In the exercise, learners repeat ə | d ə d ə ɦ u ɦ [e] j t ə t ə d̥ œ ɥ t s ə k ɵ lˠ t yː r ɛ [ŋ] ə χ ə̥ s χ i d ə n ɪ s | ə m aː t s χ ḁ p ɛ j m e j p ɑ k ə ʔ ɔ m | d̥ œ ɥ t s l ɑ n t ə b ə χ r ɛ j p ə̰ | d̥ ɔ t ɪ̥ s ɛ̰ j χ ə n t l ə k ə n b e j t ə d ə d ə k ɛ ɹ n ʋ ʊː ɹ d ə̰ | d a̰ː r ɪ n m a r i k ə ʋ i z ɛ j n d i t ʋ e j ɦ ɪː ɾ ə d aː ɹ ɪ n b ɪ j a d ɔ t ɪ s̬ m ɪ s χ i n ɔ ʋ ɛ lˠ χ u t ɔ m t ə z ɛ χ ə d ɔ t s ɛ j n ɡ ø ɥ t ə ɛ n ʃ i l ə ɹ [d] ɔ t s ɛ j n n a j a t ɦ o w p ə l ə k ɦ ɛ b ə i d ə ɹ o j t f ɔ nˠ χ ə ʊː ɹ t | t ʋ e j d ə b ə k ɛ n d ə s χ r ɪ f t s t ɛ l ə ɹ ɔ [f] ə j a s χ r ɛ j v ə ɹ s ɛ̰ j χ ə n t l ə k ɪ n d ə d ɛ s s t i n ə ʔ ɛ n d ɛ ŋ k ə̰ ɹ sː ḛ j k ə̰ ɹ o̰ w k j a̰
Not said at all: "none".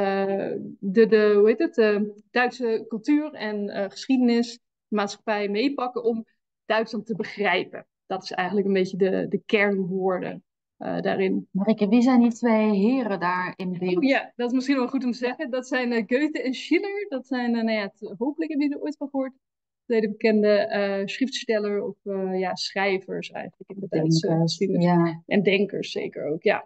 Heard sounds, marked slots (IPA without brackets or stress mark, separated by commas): e, n, d, f